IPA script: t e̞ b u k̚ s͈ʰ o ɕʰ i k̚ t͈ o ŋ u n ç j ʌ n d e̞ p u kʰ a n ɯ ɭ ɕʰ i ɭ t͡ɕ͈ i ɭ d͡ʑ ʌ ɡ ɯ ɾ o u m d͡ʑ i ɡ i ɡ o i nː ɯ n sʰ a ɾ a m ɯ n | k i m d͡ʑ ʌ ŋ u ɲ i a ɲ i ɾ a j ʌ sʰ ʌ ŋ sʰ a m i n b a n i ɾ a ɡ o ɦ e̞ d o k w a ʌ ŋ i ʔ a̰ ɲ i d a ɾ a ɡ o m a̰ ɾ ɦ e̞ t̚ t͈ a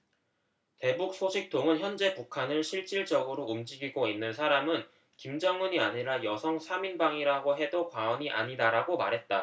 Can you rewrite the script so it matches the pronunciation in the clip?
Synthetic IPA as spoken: t e̞ b u k̚ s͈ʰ o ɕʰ i k̚ t͈ o ŋ ɯ n ç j ʌ n d͡ʑ e̞ p u kʰ a n ɯ ɭ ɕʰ i ɭ t͡ɕ͈ i ɭ d͡ʑ ʌ ɡ ɯ ɾ o u m d͡ʑ i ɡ i ɡ o i nː ɯ n sʰ a ɾ a m ɯ n | k i m d͡ʑ ʌ ŋ u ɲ i a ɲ i ɾ a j ʌ sʰ ʌ ŋ sʰ a m i n b a ŋ i ɾ a ɡ o ɦ e̞ d o k w a ʌ ɲ i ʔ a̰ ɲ i d a ɾ a ɡ o m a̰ ɾ ɦ e̞ t̚ t͈ a

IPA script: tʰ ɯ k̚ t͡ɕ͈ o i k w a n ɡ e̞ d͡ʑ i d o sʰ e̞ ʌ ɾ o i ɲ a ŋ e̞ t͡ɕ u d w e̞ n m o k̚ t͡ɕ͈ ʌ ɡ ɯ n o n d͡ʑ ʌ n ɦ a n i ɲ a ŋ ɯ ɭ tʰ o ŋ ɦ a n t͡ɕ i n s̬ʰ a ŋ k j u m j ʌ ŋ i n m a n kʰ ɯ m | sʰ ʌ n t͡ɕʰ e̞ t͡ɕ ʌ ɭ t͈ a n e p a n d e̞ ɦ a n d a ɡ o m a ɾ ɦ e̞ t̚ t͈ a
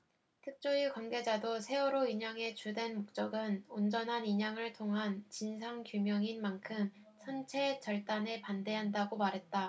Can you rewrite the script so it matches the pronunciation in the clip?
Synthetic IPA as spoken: tʰ ɯ k̚ t͡ɕ͈ o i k w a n ɡ e̞ d͡ʑ a d o sʰ e̞ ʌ ɾ o i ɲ a ŋ e̞ t͡ɕ u d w e̞ n m o k̚ t͡ɕ͈ ʌ ɡ ɯ n o n d͡ʑ ʌ n ɦ a n i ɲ a ŋ ɯ ɭ tʰ o ŋ ɦ a n t͡ɕ i n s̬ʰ a ŋ k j u m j ʌ ŋ i n m a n kʰ ɯ m | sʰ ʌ n t͡ɕʰ e̞ t͡ɕ ʌ ɭ t͈ a n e p a n d e̞ ɦ a n d a ɡ o m a ɾ ɦ e̞ t̚ t͈ a

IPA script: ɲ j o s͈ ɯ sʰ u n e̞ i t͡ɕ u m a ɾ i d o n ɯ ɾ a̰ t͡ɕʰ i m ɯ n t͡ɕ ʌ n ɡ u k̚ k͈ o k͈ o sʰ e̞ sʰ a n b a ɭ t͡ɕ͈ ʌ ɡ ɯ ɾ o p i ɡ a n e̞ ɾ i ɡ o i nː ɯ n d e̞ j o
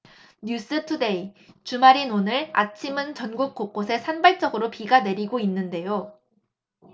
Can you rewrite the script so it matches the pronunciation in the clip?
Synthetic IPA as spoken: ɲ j u s͈ ɯ tʰ u d e̞ i t͡ɕ u m a ɾ i n o n ɯ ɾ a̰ t͡ɕʰ i m ɯ n t͡ɕ ʌ n ɡ u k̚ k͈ o k͈ o sʰ e̞ sʰ a n b a ɭ t͡ɕ͈ ʌ ɡ ɯ ɾ o p i ɡ a n e̞ ɾ i ɡ o i nː ɯ n d e̞ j o

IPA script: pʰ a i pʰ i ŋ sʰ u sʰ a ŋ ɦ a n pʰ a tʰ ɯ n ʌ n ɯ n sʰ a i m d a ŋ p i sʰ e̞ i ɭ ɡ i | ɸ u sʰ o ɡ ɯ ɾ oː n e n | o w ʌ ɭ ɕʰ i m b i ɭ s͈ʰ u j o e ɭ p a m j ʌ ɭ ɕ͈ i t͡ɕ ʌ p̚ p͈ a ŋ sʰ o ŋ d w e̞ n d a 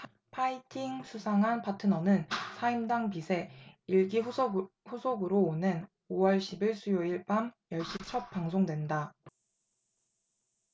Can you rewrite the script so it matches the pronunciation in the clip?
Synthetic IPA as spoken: pʰ a i tʰ i ŋ sʰ u sʰ a ŋ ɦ a n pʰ a tʰ ɯ n ʌ n ɯ n sʰ a i m d a ŋ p i sʰ e̞ i ɭ ɡ i | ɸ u sʰ o ɡ ɯ ɾ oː n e n | o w ʌ ɭ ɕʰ i b i ɭ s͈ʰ u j o i ɭ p a m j ʌ ɭ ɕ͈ i t͡ɕʰ ʌ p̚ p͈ a ŋ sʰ o ŋ d w e̞ n d a

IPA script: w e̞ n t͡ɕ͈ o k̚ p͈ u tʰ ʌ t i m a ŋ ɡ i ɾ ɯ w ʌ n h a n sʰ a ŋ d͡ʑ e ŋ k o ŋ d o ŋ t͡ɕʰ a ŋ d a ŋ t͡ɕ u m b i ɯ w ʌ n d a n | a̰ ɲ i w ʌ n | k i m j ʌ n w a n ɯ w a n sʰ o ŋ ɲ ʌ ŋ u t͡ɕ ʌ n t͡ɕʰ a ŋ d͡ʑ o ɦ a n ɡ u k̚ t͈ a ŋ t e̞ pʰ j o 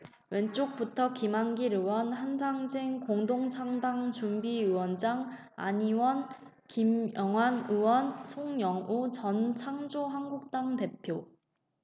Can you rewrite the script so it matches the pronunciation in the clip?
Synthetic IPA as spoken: w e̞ n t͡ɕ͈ o k̚ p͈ u tʰ ʌ k i m a ŋ ɡ i ɾ ɯ w ʌ n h a n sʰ a ŋ d͡ʑ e ŋ k o ŋ d o ŋ t͡ɕʰ a ŋ d a ŋ t͡ɕ u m b i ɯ w ʌ n d͡ʑ a ŋ | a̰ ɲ i w ʌ n | k i m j ʌ ŋ w a n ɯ w ʌ n sʰ o ŋ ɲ ʌ ŋ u t͡ɕ ʌ n t͡ɕʰ a ŋ d͡ʑ o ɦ a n ɡ u k̚ t͈ a ŋ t e̞ pʰ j o

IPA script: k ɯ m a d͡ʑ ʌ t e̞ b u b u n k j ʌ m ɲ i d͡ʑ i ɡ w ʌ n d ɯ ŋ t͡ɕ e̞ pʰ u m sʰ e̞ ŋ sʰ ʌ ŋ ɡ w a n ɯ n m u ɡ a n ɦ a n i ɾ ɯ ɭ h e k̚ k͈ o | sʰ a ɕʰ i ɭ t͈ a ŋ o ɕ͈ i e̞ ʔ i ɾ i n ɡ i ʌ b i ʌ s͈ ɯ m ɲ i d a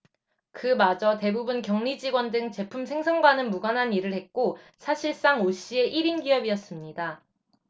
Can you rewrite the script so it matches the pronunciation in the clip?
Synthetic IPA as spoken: k ɯ m a d͡ʑ ʌ t e̞ b u b u n k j ʌ ŋ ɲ i d͡ʑ i ɡ w ʌ n d ɯ ŋ t͡ɕ e̞ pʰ u m sʰ e̞ ŋ sʰ ʌ ŋ ɡ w a n ɯ n m u ɡ a n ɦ a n i ɾ ɯ ɭ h e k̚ k͈ o | sʰ a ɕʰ i ɭ s͈ a ŋ o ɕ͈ i e̞ ʔ i ɾ i n ɡ i ʌ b i ʌ s͈ ɯ m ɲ i d a

